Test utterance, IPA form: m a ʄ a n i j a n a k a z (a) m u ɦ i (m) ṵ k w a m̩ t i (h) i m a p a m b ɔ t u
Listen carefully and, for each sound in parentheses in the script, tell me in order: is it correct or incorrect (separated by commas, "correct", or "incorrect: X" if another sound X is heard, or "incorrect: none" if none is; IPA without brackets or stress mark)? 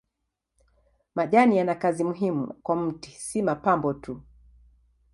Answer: incorrect: i, correct, incorrect: s